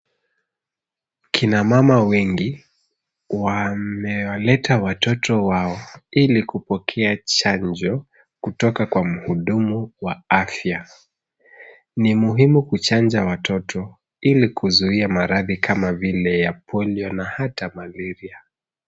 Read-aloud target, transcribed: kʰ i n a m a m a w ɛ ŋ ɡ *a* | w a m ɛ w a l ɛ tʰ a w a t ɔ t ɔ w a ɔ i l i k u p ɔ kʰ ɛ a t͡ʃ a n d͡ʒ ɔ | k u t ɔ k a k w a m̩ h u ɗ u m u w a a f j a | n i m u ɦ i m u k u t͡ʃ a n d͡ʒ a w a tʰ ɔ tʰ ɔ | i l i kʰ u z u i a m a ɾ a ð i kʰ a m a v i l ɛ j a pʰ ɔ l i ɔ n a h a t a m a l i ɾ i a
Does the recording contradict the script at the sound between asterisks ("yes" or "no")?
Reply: yes